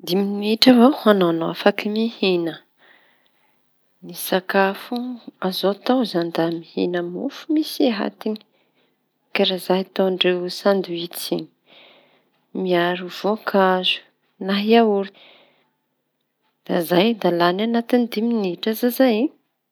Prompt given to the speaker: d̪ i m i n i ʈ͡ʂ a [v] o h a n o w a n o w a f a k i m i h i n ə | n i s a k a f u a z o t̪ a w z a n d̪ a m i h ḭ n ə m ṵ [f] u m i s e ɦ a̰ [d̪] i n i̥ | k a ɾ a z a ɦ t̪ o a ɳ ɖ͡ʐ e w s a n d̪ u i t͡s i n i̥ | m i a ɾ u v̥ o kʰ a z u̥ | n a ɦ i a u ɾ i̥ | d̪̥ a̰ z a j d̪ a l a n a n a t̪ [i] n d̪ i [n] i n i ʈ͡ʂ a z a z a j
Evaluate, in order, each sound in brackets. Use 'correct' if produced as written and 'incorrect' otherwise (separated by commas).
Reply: correct, correct, incorrect, correct, incorrect